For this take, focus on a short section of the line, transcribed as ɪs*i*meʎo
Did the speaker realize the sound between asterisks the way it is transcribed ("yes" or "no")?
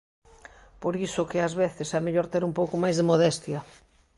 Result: no